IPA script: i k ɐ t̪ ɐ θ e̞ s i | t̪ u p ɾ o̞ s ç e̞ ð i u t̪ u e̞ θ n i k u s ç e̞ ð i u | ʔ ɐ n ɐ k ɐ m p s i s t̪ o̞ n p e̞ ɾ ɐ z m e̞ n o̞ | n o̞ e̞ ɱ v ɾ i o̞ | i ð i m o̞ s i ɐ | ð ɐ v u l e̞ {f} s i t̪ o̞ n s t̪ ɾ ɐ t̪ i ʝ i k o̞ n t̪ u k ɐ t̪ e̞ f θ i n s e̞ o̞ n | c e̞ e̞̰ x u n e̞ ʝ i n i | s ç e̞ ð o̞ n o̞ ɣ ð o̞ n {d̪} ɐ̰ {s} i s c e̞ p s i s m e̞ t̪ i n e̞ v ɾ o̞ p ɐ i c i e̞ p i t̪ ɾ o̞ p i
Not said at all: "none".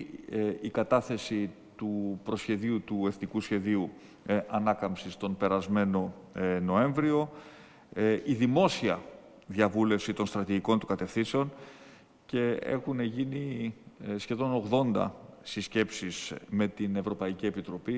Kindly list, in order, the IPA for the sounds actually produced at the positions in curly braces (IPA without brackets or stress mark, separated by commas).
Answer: f, d̪, s